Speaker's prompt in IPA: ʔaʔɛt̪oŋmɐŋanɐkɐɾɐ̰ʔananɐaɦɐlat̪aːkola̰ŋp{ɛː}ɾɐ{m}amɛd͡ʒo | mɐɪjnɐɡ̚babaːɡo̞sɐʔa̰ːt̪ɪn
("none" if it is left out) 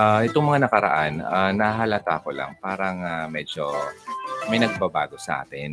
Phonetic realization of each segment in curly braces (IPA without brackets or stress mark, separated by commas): aː, ŋ